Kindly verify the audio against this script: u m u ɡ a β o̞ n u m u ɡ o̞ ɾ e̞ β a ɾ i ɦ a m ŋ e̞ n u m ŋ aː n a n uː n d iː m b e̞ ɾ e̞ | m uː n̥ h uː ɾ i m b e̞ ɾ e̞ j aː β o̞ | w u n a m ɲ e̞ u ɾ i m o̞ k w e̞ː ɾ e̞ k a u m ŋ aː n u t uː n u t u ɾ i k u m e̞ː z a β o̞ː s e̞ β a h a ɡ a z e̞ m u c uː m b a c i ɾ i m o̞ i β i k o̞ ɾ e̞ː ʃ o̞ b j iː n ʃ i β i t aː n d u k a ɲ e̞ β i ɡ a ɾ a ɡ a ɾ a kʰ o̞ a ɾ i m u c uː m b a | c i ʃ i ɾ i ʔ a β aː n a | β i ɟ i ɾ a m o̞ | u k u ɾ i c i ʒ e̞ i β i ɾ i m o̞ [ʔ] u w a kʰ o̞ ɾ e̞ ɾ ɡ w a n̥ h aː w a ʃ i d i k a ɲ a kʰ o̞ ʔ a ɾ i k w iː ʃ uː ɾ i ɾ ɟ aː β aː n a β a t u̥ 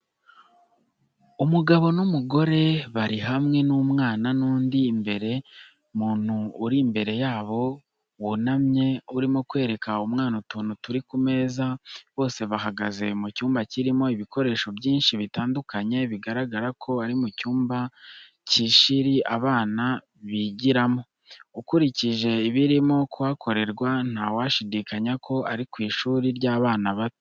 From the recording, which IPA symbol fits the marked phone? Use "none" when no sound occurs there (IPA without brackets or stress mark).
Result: k